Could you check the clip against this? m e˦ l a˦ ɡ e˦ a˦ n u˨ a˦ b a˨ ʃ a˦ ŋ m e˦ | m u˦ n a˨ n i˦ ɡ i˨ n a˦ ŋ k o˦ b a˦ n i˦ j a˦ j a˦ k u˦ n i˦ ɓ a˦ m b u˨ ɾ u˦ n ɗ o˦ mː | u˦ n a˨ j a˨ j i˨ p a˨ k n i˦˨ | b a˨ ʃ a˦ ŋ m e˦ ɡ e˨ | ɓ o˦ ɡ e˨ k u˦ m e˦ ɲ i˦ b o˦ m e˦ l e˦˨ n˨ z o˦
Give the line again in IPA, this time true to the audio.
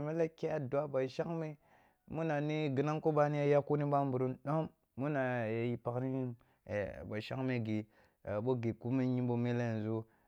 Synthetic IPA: m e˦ l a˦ k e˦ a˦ d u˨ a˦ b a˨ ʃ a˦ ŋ m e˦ | m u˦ n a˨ n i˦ ɡ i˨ n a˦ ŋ k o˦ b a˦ n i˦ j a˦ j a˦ k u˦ n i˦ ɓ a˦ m b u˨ ɾ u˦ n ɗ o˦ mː | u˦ n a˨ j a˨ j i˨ p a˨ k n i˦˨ | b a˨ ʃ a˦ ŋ m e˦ ɡ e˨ | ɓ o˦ ɡ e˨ k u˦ m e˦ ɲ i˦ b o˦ m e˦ l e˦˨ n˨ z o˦

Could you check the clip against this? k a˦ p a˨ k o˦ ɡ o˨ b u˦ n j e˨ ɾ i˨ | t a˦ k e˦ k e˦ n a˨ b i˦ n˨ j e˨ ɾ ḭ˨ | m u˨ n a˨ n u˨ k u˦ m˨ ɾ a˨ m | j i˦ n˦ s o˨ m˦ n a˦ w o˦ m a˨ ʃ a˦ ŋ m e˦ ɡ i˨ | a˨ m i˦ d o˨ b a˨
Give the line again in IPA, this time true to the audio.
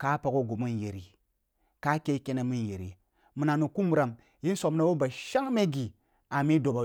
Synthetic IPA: k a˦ p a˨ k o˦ ɡ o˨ m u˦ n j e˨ ɾ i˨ | k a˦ k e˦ k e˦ n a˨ m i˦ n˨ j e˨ ɾ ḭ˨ | m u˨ n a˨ n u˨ k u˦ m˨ ɾ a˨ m | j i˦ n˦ s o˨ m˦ n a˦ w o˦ b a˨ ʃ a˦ ŋ m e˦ ɡ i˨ | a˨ m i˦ d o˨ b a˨

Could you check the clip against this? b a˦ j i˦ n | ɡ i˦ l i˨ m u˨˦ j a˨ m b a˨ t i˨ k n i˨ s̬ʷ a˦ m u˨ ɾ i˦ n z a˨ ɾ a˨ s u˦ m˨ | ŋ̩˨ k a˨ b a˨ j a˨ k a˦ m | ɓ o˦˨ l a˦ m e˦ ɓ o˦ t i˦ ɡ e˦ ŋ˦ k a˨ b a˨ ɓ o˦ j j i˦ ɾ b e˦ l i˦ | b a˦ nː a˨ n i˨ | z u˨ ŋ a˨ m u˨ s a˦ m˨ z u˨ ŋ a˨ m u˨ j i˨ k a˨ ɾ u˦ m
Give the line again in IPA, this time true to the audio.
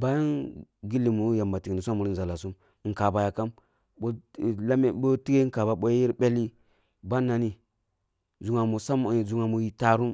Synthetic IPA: b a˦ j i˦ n | ɡ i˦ l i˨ m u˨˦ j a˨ m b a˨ t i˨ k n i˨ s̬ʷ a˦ m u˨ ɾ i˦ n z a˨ l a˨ s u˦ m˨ | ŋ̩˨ k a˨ b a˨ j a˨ k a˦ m | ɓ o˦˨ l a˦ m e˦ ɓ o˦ t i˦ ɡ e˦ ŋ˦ k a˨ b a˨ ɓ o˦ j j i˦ ɾ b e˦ l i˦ | b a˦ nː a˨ n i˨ | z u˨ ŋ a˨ m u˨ s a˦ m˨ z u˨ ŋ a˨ m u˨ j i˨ t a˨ ɾ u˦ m

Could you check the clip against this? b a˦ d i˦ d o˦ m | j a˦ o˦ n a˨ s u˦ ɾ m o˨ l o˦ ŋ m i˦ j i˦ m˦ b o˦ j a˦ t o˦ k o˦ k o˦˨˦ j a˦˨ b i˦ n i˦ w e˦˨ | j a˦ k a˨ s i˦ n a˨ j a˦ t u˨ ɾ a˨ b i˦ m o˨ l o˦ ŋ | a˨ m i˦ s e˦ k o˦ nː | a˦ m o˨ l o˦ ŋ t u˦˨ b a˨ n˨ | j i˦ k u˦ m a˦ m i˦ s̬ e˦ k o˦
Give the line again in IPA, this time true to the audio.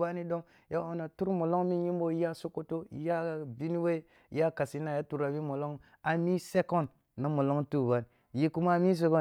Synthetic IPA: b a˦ n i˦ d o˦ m | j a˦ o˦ n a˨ t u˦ ɾ m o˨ l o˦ ŋ m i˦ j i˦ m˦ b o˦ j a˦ s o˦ k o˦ t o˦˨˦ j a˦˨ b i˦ n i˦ w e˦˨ | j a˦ k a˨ s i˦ n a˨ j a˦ t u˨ ɾ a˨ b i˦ m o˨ l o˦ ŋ | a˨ m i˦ s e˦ k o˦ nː | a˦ m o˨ l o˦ ŋ t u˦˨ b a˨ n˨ | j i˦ k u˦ m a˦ m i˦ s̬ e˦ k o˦

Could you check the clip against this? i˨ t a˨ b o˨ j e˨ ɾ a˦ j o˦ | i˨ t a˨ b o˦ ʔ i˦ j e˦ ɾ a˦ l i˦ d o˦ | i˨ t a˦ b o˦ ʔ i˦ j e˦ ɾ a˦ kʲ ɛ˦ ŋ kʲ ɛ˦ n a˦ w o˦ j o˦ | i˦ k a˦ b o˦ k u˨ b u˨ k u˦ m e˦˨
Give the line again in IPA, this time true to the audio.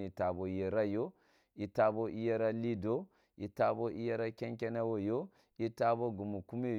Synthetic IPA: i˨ t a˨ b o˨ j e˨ ɾ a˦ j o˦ | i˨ t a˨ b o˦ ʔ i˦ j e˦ ɾ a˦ l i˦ d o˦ | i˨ t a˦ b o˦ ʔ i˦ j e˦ ɾ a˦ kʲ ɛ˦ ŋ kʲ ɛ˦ n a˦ w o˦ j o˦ | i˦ t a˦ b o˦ ɡ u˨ m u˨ k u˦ m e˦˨

